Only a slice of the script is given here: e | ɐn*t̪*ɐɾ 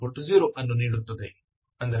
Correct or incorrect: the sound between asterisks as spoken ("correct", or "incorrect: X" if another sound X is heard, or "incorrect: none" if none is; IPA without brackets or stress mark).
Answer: incorrect: d̪